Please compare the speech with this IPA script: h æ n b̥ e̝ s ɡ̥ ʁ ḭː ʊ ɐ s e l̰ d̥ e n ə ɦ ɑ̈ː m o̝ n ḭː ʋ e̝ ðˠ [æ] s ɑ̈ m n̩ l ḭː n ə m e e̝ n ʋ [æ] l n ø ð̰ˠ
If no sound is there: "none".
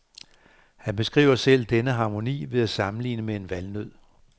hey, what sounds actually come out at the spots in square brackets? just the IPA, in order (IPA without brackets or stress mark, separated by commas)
æ, æ